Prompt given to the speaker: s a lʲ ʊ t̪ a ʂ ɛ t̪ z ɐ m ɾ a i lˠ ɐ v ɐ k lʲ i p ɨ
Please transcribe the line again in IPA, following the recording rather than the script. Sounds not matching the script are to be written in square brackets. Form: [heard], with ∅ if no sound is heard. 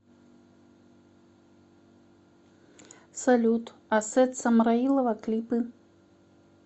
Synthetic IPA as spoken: s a lʲ [u] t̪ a [s] ɛ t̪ [s] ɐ m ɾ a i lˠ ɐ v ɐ k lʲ i p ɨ